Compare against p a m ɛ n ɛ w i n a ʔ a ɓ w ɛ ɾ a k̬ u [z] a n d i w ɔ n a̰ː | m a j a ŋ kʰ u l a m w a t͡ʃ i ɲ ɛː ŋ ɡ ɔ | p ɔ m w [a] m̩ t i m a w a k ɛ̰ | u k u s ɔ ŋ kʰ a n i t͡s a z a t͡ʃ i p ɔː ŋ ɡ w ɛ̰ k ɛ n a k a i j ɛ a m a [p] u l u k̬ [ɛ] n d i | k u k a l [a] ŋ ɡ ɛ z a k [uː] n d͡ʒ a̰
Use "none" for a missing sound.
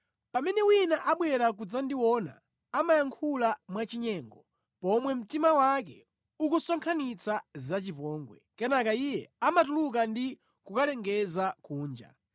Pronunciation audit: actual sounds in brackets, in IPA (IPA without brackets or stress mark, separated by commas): d͡z, ɛ, t, a, ɛ, uː